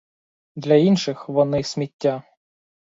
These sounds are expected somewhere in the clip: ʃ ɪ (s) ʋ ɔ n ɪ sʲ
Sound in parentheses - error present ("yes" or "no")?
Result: yes